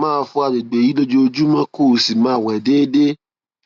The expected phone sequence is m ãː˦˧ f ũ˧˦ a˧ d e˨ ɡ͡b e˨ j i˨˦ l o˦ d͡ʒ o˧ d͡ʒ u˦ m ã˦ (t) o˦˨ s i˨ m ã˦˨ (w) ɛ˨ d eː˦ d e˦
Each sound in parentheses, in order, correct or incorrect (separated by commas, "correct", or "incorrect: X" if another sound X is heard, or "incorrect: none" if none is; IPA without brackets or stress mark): incorrect: k, correct